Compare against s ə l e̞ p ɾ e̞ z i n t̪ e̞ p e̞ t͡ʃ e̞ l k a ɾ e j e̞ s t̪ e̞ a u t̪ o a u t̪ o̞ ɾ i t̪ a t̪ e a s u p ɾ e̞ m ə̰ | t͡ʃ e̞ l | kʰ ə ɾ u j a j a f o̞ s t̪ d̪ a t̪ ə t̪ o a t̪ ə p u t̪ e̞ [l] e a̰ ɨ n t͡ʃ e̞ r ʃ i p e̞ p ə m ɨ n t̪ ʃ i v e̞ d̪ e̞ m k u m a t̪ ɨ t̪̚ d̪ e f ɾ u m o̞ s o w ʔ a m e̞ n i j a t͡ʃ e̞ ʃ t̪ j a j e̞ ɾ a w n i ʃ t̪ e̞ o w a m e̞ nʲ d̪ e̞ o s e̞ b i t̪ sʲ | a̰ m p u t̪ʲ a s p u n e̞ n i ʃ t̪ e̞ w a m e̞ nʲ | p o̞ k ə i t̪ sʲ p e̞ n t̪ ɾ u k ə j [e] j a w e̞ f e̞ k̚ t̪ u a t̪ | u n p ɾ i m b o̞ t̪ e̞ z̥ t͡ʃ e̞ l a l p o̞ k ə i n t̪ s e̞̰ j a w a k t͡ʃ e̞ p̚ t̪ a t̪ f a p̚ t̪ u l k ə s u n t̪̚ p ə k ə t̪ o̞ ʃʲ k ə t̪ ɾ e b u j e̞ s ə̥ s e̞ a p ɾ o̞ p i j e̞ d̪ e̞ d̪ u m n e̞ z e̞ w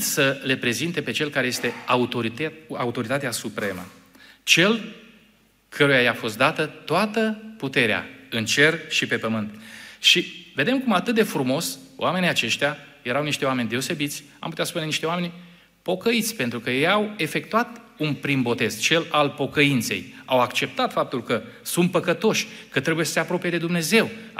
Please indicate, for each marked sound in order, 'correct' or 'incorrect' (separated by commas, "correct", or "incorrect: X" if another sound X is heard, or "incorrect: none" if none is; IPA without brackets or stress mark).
incorrect: ɾ, correct